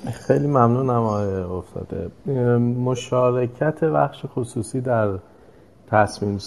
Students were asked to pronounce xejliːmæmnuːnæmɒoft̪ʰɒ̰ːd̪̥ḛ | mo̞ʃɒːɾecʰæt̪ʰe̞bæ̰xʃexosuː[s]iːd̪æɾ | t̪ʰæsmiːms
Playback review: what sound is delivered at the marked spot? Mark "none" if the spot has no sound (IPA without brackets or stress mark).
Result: s